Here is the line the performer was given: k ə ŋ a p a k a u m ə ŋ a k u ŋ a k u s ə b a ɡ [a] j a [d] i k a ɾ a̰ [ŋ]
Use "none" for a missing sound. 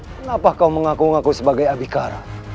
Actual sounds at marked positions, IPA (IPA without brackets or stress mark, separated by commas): a, b, none